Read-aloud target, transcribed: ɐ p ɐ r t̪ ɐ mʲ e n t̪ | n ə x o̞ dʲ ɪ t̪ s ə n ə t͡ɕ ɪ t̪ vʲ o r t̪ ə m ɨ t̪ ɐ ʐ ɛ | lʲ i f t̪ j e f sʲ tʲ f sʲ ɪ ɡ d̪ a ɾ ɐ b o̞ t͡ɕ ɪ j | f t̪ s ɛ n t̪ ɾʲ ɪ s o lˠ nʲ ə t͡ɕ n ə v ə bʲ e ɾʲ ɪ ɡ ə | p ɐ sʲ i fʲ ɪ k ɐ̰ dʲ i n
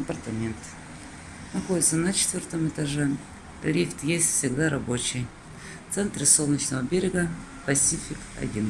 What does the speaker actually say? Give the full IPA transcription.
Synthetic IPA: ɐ p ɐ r t̪ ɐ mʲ e n t̪ | n ɐ x o̞ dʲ ɪ t̪ s ə n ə t͡ɕ ɪ t̪ vʲ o r t̪ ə m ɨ t̪ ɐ ʐ ɛ | lʲ i f t̪ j e sʲ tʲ f sʲ ɪ ɡ d̪ a ɾ ɐ b o̞ t͡ɕ ɪ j | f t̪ s ɛ n t̪ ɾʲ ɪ s o lˠ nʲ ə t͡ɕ n ə v ə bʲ e ɾʲ ɪ ɡ ə | p ɐ sʲ i fʲ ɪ k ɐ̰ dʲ i n

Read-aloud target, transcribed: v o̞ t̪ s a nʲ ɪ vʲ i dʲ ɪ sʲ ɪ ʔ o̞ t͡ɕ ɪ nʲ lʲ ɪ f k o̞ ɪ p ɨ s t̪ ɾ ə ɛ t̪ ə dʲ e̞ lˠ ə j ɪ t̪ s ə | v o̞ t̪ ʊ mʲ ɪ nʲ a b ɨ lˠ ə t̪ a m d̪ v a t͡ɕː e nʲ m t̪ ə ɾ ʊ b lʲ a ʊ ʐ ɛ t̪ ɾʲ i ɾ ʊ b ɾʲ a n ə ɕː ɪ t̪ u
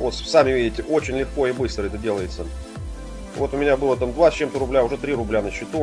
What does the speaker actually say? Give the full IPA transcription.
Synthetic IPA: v o̞ t̪ s a mʲ ɪ vʲ i dʲ ɪ tʲ ɪ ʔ o̞ t͡ɕ ɪ nʲ lʲ ɪ x k o̞ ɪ b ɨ s t̪ ɾ ə ɛ t̪ ə dʲ e̞ lˠ ə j ɪ t̪ s ə | v o̞ t̪ ʊ mʲ ɪ nʲ a b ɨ lˠ ə t̪ a m d̪ v a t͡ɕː e m t̪ ə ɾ ʊ b lʲ a ʊ ʐ ɛ t̪ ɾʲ i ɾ ʊ b lʲ a n ə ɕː ɪ t̪ u

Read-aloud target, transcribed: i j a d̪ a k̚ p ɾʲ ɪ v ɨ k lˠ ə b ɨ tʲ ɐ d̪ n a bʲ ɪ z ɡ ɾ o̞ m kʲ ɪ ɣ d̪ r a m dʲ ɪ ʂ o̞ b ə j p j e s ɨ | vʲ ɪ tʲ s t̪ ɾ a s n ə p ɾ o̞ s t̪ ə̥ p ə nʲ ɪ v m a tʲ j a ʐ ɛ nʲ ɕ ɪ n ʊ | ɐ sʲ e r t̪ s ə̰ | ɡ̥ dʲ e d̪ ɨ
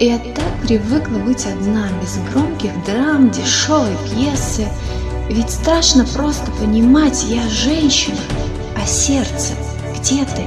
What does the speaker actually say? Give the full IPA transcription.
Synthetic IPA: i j a t̪ a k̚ p ɾʲ ɪ v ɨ k lˠ ə b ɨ tʲ ɐ d̪ n a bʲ ɪ z ɡ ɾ o̞ m kʲ ɪ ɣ d̪ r a m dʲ ɪ ʂ o̞ v ə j p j e s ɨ | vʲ ɪ tʲ s t̪ ɾ a ʂ n ə p ɾ o̞ s t̪ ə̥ p ə nʲ ɪ m a tʲ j a ʐ ɛ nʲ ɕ ɪ n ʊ | ɐ sʲ e r t̪ s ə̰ | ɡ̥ dʲ e t̪ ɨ

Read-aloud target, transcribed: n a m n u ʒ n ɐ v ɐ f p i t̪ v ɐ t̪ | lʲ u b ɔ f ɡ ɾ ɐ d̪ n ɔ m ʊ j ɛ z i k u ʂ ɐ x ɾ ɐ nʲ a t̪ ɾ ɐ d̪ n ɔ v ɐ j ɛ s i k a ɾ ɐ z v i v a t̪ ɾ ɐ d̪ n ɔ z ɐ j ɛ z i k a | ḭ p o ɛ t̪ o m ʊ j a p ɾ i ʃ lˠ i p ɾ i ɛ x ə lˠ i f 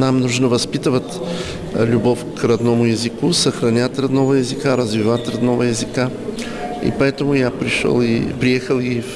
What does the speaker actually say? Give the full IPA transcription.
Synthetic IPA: n a m n u ʒ n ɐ v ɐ s p i t̪ v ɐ t̪ | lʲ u b ɔ f k ɾ ɐ d̪ n ɔ m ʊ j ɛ z i k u s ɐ x ɾ ɐ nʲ a t̪ ɾ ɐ d̪ n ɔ v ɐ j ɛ z i k a ɾ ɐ z v i v a t̪ ɾ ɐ d̪ n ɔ v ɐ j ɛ z i k a | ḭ p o ɛ t̪ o m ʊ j a p ɾ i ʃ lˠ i p ɾ i ɛ x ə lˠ i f

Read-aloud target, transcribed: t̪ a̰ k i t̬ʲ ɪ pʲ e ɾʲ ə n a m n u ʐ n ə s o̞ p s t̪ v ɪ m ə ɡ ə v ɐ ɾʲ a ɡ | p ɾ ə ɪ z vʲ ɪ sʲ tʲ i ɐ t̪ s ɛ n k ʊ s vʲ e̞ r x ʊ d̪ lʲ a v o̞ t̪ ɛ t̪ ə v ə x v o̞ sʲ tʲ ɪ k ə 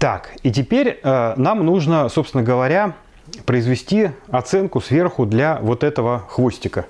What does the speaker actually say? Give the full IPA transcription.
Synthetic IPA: t̪ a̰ k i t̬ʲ ɪ pʲ e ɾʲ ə n a m n u ʐ n ə s o̞ p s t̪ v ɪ n ə ɡ ə v ɐ ɾʲ a | p ɾ ə ɪ z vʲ ɪ sʲ tʲ i ɐ t̪ s ɛ n k ʊ s vʲ e̞ r x ʊ d̪ lʲ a v o̞ t̪ ɛ t̪ ə v ə x v o̞ sʲ tʲ ɪ k ə

